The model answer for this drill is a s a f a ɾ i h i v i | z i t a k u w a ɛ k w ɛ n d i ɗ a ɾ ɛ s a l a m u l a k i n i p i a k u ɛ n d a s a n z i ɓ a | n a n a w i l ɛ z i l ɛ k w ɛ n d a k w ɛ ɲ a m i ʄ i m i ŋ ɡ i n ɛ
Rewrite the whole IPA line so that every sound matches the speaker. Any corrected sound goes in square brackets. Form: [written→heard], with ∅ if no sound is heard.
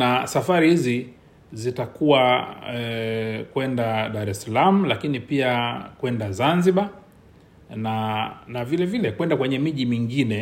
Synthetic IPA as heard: a s a f a ɾ i h i [v→z] i | z i t a k u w a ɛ k w ɛ n d [i→a] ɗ a ɾ ɛ s a l a m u l a k i n i p i a k [u→w] ɛ n d a [s→z] a n z i ɓ a | n a n a [w→v] i l ɛ [z→v] i l ɛ k w ɛ n d a k w ɛ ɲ [a→ɛ] m i ʄ i m i ŋ ɡ i n ɛ